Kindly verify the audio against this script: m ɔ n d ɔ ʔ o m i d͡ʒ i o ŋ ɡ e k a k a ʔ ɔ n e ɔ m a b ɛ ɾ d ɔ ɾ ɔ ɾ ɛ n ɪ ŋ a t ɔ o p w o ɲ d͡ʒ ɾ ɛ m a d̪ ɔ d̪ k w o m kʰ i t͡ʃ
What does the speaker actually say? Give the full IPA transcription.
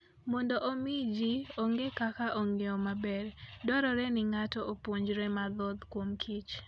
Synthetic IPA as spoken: m ɔ n d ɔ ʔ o m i d͡ʒ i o ŋ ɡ e k a k a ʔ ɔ ŋ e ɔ m a b ɛ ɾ d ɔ ɾ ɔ ɾ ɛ n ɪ ŋ a t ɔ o p w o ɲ d͡ʒ ɾ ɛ m a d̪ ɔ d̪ k w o m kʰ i t͡ʃ